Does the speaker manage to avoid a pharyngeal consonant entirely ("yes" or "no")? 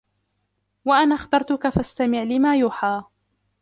no